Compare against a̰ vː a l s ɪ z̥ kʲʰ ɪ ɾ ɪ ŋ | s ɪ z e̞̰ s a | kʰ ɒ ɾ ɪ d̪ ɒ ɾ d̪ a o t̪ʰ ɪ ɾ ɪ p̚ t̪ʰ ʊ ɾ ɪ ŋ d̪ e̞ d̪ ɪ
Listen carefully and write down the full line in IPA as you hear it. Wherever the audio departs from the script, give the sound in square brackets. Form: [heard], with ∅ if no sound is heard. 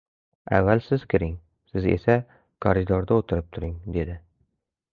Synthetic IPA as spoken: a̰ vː a l s ɪ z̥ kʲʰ ɪ ɾ ɪ ŋ | s ɪ z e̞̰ s a | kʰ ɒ ɾ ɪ d̪ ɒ ɾ d̪ a o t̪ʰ ɪ ɾ ɪ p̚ t̪ʰ ʊ ɾ ɪ ŋ d̪ e̞ d̪ ɪ